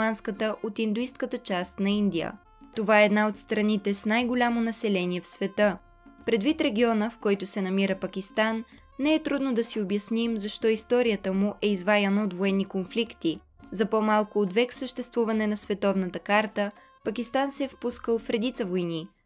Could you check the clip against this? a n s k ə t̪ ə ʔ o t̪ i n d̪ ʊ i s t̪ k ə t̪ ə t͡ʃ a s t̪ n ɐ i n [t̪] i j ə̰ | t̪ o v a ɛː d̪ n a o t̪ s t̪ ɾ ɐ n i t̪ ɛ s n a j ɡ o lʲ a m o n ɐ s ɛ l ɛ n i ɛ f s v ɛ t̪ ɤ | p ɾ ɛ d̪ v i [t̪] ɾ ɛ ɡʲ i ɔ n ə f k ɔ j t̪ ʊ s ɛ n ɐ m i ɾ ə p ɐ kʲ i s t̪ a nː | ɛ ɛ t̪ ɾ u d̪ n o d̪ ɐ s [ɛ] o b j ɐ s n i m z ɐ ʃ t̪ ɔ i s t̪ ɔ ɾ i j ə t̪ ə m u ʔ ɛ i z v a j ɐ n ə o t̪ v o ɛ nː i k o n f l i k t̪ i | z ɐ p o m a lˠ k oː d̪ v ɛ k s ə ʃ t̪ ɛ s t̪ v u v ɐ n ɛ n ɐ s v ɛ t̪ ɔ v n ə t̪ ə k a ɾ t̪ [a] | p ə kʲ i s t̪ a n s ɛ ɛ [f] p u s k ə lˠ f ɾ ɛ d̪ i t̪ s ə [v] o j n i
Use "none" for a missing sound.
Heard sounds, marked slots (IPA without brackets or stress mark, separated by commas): d̪, t̪, i, ə, f, v